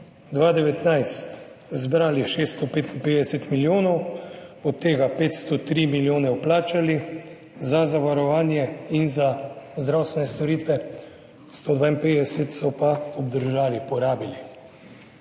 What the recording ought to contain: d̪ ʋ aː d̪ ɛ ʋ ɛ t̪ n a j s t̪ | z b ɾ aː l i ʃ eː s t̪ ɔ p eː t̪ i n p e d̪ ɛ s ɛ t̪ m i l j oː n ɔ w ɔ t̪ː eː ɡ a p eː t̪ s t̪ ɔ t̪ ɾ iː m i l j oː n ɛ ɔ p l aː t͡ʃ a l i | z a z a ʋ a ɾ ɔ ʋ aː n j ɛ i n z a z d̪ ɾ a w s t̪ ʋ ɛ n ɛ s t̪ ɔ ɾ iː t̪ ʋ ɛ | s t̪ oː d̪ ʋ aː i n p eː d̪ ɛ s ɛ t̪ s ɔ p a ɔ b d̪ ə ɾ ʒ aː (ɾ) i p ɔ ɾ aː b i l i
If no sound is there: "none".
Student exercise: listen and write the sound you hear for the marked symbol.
l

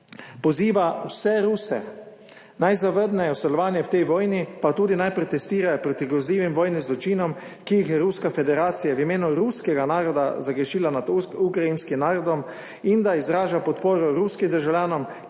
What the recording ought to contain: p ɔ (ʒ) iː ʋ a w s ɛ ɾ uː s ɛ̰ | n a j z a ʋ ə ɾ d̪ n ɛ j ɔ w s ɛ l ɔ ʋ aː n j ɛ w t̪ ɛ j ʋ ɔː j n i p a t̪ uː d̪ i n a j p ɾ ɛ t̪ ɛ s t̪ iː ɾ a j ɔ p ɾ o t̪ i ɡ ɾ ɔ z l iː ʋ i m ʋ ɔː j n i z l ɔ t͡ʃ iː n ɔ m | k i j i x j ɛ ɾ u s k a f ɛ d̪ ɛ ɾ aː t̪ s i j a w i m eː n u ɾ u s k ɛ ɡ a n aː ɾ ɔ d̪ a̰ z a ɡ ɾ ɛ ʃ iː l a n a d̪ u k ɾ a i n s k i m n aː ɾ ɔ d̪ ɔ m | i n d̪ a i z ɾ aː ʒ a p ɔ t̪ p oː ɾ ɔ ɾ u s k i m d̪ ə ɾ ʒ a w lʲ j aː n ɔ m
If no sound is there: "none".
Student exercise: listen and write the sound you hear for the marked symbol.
z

